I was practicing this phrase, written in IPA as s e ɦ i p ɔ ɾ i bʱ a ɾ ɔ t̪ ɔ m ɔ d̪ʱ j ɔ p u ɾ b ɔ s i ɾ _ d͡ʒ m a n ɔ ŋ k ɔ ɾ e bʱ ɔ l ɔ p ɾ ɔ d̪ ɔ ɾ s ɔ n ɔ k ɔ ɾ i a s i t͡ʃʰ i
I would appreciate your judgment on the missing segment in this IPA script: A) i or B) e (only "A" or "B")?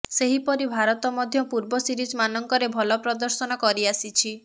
A